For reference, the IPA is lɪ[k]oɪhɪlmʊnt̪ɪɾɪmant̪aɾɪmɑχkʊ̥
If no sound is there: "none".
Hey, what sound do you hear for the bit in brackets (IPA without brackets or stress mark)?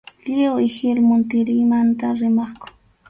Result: none